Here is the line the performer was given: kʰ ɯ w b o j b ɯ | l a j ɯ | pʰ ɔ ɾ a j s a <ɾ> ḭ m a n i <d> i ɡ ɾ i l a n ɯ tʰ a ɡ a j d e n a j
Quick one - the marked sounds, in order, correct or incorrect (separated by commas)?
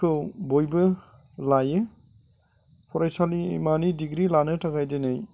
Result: incorrect, correct